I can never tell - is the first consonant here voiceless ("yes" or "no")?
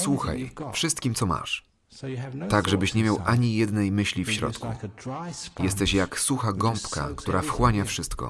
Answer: yes